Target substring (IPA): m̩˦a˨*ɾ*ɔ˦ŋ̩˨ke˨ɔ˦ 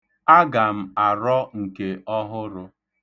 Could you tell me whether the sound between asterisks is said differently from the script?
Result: no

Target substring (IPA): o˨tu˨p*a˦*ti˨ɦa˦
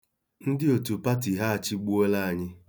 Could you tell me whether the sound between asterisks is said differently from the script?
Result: no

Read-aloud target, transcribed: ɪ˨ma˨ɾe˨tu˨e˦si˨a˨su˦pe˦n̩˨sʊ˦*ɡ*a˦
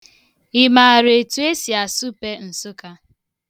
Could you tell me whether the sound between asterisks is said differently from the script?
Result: yes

